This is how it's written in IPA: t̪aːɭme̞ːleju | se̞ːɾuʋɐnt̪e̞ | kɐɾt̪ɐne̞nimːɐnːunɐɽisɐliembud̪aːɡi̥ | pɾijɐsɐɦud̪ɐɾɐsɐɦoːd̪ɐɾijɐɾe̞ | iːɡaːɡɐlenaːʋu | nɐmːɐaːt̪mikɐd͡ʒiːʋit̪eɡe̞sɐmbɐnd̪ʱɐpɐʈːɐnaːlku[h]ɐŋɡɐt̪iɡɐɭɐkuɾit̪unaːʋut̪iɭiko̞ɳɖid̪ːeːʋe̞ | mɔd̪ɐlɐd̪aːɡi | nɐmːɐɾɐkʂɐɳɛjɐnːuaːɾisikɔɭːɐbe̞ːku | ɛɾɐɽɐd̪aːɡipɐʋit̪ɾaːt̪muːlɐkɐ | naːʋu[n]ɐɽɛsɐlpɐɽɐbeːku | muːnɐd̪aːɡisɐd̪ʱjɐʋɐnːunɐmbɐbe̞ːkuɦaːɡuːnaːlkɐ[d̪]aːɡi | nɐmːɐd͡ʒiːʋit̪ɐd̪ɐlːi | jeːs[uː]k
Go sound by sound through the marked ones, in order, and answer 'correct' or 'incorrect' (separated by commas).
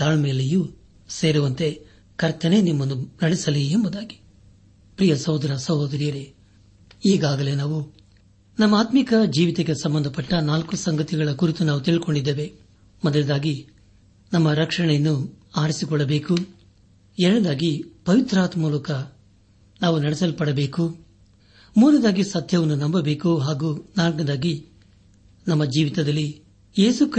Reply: incorrect, correct, correct, incorrect